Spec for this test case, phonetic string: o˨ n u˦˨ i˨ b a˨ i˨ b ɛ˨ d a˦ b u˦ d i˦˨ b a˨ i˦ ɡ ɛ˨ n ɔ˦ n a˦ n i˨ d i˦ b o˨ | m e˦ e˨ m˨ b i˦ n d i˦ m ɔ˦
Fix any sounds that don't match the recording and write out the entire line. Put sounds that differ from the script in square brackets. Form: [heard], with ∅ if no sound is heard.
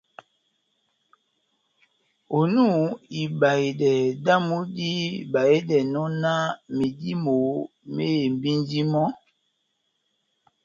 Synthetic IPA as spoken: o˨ n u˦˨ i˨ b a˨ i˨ [d] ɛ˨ d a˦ [m] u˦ d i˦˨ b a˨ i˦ [d] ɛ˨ n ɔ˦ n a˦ [m] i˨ d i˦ [m] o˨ | m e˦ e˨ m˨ b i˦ n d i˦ m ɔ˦